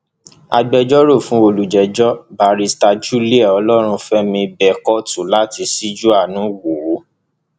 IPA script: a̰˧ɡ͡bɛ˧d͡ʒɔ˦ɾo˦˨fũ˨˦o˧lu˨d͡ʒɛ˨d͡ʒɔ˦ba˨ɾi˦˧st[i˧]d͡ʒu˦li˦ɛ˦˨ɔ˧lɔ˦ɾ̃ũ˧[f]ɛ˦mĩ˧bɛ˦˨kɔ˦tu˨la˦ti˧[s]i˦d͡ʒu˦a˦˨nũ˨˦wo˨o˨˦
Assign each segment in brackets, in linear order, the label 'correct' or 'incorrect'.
incorrect: a˧, correct, correct

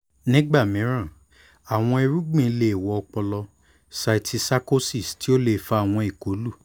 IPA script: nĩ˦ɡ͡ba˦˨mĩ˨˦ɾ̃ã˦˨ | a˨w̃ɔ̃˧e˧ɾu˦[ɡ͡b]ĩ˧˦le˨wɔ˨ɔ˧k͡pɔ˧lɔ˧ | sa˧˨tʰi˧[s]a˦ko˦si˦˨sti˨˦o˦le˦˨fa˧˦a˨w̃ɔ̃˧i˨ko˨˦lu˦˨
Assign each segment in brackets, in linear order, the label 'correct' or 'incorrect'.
correct, correct

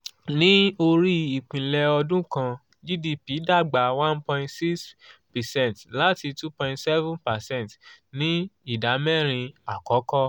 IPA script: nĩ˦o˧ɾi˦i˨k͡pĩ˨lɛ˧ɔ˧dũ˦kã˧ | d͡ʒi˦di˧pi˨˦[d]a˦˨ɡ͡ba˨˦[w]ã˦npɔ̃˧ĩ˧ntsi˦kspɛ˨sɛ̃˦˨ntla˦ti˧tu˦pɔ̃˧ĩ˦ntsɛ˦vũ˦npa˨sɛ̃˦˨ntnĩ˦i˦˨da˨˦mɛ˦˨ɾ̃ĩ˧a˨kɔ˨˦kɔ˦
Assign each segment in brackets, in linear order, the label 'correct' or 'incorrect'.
correct, correct

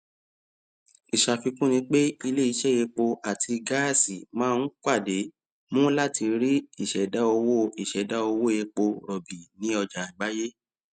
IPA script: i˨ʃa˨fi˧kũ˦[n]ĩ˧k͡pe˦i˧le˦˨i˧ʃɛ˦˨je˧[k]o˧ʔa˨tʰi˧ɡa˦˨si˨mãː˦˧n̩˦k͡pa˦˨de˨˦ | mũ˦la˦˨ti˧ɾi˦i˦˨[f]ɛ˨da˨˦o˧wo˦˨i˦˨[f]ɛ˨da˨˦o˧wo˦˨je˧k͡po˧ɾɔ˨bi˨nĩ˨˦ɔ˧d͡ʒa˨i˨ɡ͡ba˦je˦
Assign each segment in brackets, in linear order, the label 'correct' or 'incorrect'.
correct, incorrect: k͡p, incorrect: ʃ, incorrect: ʃ

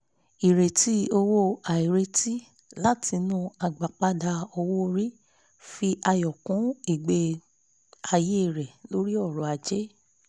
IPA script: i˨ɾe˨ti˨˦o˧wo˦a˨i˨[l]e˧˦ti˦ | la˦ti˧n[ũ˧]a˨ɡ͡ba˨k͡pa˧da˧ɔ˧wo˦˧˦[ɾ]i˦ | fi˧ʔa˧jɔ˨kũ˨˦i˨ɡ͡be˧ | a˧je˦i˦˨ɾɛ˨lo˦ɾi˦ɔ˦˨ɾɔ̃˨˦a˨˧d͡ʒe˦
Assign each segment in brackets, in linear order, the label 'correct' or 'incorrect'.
incorrect: ɾ, correct, correct

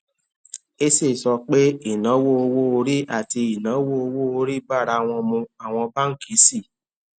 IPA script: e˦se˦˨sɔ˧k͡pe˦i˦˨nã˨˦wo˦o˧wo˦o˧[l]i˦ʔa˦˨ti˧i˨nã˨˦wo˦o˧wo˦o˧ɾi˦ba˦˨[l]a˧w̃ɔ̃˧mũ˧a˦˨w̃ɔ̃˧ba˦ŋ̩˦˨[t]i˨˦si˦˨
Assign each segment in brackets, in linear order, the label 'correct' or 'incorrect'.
incorrect: ɾ, incorrect: ɾ, incorrect: k

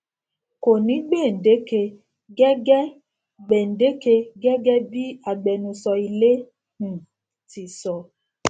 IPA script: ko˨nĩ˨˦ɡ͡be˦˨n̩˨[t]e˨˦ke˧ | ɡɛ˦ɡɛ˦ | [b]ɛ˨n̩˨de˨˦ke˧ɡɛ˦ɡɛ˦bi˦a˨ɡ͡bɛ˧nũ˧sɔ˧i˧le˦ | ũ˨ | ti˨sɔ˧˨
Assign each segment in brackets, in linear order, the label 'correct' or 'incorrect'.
incorrect: d, incorrect: ɡ͡b

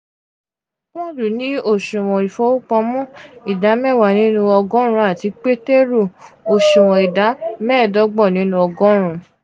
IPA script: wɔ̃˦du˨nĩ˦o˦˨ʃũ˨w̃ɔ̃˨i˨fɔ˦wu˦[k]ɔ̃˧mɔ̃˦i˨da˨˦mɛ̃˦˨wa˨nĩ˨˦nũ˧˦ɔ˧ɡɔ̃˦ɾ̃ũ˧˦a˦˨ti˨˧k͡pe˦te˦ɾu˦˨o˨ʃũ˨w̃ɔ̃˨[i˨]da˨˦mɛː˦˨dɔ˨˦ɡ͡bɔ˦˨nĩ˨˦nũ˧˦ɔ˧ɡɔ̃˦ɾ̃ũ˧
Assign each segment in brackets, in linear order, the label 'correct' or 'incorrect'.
incorrect: k͡p, correct

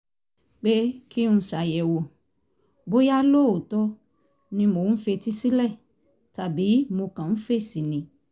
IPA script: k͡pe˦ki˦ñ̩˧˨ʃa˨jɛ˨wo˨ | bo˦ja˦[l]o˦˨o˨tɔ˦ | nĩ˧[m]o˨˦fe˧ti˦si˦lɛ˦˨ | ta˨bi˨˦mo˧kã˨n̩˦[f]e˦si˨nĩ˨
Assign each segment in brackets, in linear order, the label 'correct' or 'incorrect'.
correct, correct, correct

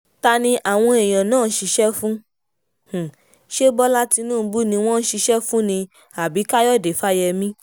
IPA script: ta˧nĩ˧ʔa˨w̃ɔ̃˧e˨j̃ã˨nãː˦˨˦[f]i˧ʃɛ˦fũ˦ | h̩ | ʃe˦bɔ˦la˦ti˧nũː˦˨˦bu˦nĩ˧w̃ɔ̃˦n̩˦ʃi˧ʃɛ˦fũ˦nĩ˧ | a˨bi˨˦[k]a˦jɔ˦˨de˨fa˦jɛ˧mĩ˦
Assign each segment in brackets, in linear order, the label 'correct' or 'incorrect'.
incorrect: ʃ, correct

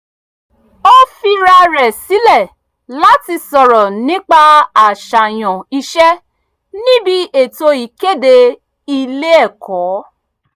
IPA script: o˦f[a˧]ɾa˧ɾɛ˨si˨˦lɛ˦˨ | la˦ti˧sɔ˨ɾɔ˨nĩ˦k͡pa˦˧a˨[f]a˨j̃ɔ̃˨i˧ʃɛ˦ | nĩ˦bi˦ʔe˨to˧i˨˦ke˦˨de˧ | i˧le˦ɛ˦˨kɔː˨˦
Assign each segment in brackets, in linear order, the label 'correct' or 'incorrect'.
incorrect: i˧, incorrect: ʃ

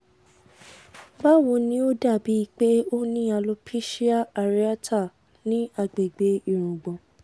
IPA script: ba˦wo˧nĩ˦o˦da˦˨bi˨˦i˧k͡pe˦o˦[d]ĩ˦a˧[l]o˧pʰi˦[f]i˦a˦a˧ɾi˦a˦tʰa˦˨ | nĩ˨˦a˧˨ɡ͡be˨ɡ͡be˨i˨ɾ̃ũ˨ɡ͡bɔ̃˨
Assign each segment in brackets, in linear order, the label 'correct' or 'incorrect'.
incorrect: n, correct, incorrect: ʃ

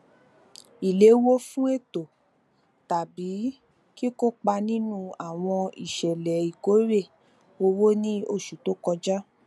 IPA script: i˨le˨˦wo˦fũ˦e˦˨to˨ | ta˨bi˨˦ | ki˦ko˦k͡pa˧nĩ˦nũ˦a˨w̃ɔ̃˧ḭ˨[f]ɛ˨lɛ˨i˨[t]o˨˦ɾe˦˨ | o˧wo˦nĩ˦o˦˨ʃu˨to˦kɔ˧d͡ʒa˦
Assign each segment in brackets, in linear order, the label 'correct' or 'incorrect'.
incorrect: ʃ, incorrect: k

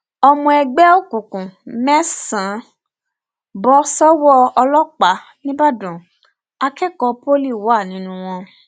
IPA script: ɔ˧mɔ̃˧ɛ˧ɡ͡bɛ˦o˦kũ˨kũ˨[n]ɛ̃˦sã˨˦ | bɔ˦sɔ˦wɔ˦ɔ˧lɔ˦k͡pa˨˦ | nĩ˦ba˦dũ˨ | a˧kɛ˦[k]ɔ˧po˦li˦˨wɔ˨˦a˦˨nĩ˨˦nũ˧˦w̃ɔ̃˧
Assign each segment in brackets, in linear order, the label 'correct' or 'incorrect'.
incorrect: m, correct

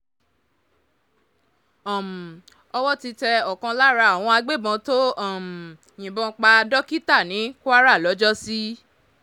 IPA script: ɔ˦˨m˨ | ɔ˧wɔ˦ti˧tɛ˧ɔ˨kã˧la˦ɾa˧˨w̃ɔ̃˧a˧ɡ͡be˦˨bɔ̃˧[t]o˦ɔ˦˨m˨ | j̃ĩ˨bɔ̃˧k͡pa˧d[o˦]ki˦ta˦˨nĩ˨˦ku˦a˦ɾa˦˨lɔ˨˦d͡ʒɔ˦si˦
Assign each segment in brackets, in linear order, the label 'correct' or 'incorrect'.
correct, incorrect: ɔ˦

